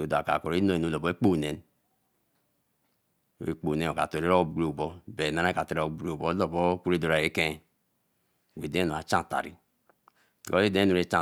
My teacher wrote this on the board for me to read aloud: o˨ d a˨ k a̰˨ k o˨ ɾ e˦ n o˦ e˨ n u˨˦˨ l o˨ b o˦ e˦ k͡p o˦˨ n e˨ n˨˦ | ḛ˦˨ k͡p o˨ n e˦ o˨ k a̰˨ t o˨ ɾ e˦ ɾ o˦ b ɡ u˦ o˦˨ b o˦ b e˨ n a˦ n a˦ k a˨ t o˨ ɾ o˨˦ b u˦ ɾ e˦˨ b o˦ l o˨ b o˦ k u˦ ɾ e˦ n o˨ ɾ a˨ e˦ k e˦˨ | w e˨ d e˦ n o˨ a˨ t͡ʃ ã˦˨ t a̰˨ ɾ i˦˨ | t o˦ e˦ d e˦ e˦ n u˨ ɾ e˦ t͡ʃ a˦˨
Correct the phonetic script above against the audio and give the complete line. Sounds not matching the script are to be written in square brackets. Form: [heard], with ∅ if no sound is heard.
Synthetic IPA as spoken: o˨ d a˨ k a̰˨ k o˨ ɾ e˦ n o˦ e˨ n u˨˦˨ l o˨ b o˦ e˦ k͡p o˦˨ n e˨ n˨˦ | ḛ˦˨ k͡p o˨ n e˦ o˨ k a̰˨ t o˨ ɾ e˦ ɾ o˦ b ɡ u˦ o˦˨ b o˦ b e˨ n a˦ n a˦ k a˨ t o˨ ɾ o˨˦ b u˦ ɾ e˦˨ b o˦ l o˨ b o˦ k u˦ ɾ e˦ [d] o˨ ɾ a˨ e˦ k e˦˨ | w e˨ d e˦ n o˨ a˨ t͡ʃ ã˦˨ t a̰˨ ɾ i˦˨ | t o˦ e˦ d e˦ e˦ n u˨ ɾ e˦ t͡ʃ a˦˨